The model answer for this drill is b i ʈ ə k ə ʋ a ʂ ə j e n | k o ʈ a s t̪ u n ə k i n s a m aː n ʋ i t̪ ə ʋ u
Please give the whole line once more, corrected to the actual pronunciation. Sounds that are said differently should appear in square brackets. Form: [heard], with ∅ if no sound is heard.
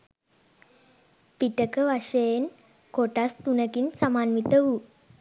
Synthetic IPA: [p] i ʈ ə k ə ʋ a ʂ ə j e n | k o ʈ a s t̪ u n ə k i n s a m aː n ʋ i t̪ ə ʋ u